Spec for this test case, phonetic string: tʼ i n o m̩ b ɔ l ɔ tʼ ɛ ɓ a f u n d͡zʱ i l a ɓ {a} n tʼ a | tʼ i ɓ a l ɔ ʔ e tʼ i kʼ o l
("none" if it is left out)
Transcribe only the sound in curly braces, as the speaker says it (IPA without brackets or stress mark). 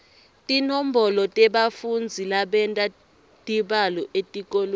ɛ